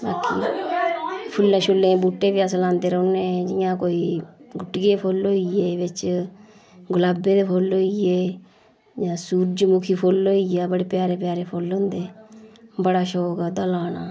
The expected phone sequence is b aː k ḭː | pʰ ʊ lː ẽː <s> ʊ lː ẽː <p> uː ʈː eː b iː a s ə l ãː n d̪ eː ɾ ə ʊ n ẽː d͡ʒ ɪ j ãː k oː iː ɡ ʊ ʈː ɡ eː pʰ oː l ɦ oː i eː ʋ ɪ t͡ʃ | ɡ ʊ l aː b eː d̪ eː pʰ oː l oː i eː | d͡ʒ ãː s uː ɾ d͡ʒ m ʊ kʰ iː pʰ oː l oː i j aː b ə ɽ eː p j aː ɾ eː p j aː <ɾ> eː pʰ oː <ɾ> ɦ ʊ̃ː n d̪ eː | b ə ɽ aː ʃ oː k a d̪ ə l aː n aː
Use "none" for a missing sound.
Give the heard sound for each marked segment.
ʃ, b, ɾ, l

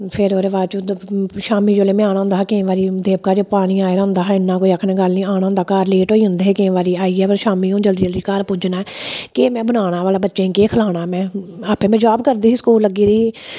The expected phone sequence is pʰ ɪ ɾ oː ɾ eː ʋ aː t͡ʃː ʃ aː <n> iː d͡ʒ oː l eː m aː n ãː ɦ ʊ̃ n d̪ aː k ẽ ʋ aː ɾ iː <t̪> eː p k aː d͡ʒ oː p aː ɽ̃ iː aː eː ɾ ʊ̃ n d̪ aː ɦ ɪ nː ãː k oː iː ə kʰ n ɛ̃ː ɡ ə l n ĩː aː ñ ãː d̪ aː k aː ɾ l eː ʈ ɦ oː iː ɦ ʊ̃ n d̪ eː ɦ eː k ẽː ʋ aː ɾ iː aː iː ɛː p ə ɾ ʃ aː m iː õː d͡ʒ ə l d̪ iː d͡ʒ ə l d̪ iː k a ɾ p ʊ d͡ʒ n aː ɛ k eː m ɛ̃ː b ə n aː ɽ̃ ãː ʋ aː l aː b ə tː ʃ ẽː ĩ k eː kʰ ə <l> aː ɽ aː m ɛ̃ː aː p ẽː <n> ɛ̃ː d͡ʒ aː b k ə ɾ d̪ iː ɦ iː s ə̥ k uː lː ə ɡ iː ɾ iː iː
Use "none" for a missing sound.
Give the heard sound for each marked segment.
m, d̪, l, m

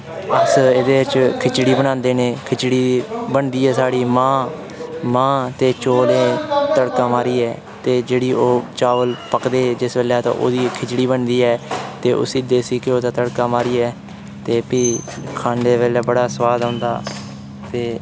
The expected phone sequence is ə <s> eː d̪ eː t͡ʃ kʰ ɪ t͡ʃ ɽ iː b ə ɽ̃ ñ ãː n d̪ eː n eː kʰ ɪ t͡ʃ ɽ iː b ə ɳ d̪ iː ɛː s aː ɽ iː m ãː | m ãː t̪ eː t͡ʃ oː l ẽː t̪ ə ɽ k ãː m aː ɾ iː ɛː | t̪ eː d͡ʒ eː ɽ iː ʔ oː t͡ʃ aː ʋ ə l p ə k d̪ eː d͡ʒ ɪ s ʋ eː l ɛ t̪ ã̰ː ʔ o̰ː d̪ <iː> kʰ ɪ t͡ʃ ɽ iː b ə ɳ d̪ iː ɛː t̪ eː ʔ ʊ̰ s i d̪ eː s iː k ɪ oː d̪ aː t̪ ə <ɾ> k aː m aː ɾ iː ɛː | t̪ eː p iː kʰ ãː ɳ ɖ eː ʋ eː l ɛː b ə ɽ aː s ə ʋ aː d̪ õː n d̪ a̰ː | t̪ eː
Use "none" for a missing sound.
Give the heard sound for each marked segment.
s, iː, ɽ

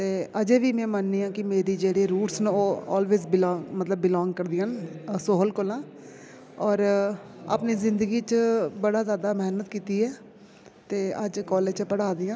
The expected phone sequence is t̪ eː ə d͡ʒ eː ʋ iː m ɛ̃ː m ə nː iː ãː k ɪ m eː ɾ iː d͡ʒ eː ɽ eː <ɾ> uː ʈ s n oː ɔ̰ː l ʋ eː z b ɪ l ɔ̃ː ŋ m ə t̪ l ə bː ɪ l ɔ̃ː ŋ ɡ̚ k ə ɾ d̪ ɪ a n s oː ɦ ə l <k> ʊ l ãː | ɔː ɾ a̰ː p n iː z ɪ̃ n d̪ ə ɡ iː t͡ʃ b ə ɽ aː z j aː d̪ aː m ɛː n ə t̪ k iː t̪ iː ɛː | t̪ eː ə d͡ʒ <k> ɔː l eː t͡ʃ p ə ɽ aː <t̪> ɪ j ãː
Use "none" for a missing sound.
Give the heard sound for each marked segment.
ɾ, k, k, d̪

